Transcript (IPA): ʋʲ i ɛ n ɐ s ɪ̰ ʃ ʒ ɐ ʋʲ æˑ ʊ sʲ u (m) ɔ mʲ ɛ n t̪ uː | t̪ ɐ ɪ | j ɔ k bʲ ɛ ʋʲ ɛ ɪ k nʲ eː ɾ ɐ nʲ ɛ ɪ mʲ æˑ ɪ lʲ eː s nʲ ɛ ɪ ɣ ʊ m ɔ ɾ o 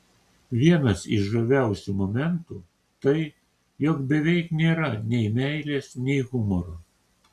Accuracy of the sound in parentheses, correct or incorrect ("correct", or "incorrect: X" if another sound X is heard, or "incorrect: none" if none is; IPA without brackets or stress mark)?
correct